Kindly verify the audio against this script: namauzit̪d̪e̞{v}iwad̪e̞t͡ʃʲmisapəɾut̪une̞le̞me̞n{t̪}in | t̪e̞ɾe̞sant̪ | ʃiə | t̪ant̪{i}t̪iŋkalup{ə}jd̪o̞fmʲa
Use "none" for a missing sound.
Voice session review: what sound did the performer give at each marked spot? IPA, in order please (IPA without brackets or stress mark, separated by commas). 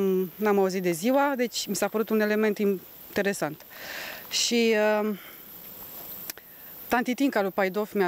z, t̪, i, a